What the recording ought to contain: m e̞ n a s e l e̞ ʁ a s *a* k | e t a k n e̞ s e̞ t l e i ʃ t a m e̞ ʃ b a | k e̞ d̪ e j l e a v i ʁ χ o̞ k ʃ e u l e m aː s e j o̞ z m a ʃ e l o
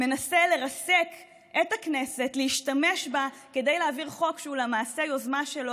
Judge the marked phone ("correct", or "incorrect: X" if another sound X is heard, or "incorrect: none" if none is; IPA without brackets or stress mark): incorrect: e